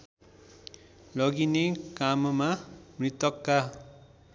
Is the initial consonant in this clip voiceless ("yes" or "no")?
no